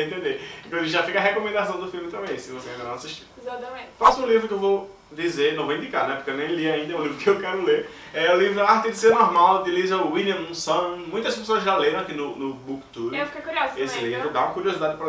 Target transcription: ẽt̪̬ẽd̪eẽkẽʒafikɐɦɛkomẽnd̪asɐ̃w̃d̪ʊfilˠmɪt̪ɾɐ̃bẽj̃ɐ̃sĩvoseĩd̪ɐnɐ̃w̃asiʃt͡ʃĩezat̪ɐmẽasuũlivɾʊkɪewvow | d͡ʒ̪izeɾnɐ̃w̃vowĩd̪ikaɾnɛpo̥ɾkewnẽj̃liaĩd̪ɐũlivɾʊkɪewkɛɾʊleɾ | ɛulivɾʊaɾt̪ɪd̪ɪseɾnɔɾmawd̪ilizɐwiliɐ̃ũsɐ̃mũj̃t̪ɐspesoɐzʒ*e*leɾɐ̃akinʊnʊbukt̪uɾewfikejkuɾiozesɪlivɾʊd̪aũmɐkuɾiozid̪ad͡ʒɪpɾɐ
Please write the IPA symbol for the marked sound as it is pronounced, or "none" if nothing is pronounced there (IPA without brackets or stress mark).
a